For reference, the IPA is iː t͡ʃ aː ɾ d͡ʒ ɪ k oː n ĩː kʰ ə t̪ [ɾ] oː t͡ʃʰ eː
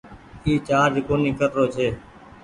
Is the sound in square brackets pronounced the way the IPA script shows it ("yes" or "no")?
yes